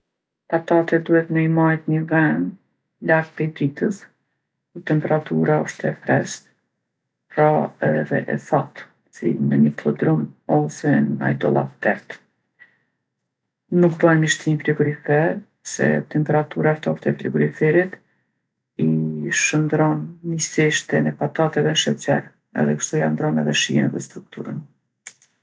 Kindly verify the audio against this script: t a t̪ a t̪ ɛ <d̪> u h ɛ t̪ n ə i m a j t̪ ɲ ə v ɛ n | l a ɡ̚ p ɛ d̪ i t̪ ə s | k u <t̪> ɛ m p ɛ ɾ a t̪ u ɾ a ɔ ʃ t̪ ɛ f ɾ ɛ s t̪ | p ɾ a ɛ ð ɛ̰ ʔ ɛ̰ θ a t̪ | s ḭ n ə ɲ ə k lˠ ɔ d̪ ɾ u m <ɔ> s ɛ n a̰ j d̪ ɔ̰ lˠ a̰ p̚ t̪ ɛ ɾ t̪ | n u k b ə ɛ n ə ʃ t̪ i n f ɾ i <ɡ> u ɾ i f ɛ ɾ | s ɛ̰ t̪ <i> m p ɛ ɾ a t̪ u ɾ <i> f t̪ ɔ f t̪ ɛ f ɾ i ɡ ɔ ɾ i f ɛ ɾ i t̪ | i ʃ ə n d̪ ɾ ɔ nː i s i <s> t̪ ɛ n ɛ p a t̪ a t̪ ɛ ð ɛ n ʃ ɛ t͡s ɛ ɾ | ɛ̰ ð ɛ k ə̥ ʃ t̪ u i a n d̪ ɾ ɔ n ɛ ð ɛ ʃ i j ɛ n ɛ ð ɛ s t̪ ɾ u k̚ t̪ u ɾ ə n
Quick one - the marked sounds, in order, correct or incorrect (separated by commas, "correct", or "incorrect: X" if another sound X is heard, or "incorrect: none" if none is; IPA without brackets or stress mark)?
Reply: correct, correct, correct, correct, incorrect: ɛ, incorrect: a, incorrect: ʃ